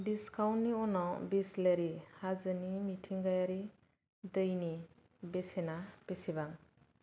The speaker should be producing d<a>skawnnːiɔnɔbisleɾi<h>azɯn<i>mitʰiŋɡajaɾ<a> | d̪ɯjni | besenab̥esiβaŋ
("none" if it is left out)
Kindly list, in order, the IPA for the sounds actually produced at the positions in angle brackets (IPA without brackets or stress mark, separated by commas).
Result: i, h, i, i